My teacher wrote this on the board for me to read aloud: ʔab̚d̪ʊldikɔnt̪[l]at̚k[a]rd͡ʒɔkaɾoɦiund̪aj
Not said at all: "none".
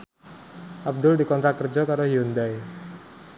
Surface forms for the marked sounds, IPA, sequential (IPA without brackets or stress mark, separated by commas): ɾ, ə